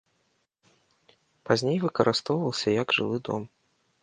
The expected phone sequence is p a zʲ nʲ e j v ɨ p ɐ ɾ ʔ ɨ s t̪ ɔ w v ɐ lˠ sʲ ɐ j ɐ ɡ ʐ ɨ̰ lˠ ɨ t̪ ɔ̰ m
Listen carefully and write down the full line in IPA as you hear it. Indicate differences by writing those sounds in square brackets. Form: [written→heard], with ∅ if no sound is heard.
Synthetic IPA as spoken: p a zʲ nʲ e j v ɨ [p→k] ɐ ɾ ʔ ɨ s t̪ ɔ w v ɐ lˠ sʲ ɐ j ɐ ɡ ʐ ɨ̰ lˠ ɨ [t̪→d̪] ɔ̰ m